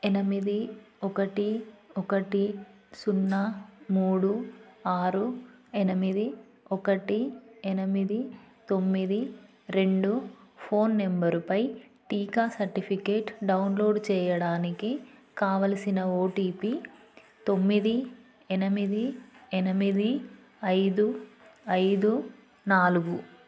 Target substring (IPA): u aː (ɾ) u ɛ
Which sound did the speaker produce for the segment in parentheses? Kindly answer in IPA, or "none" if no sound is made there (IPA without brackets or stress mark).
ɾ